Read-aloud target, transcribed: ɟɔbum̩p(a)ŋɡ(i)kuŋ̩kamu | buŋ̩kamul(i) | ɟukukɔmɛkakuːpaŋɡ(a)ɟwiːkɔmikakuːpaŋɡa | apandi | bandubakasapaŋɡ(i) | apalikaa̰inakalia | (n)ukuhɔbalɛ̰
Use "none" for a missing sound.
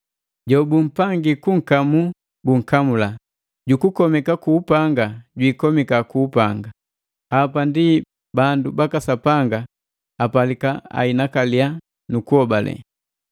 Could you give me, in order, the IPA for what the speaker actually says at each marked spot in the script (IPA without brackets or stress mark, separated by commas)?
a, i, a, a, a, n